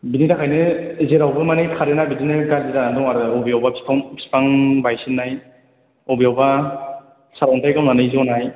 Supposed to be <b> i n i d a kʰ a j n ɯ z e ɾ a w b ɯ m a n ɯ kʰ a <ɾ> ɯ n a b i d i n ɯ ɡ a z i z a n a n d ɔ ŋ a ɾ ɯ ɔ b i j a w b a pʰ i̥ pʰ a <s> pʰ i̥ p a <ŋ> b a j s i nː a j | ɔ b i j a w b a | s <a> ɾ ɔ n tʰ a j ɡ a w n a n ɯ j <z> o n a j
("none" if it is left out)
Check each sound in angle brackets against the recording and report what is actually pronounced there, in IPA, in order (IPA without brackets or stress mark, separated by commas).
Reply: b, ɾ, none, ŋ, a, z